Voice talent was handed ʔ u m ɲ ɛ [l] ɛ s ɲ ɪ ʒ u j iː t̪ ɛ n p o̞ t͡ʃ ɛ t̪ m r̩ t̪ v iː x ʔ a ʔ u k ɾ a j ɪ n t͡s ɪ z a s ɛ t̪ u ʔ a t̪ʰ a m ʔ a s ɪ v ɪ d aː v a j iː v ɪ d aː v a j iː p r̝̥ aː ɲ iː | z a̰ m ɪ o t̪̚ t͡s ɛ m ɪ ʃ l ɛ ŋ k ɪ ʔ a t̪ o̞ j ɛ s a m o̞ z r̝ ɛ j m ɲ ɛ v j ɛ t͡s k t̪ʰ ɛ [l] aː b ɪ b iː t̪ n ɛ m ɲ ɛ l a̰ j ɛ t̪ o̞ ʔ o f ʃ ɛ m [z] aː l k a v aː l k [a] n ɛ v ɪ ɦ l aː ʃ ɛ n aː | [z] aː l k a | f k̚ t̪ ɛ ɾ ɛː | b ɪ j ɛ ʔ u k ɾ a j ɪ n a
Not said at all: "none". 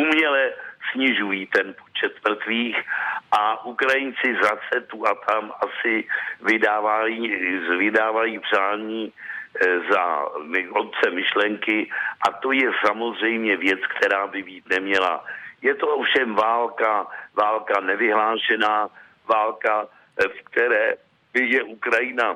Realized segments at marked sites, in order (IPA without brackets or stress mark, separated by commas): l, ɾ, v, a, v